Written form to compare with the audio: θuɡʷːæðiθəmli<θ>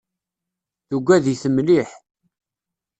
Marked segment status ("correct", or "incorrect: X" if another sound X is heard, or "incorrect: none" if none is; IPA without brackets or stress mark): incorrect: ħ